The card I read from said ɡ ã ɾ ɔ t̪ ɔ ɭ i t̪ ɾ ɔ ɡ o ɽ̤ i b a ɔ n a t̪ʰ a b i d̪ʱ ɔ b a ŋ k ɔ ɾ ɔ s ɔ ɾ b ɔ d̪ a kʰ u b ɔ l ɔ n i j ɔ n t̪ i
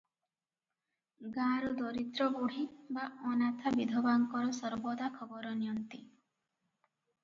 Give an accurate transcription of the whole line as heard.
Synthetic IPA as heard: ɡ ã ɾ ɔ d̪ ɔ ɾ i t̪ ɾ ɔ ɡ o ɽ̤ i b a ɔ n a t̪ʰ a b i d̪ʱ ɔ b a ŋ k ɔ ɾ ɔ s ɔ ɾ b ɔ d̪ a kʰ ɔ b ɔ ɾ ɔ n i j ɔ n t̪ i